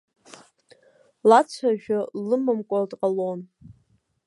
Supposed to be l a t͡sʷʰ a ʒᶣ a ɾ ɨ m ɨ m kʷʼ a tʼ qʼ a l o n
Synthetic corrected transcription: l a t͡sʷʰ a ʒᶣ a l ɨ m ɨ m kʷʼ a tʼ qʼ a l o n